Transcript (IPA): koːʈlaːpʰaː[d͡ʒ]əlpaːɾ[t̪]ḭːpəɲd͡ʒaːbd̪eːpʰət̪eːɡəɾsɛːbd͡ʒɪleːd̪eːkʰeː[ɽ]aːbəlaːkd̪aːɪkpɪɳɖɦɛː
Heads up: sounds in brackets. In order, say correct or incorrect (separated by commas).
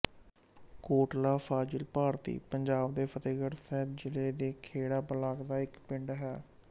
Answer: correct, correct, correct